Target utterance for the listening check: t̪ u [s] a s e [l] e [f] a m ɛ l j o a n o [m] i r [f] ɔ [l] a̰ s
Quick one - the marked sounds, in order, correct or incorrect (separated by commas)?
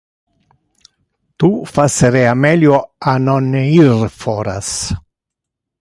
incorrect, incorrect, incorrect, incorrect, correct, incorrect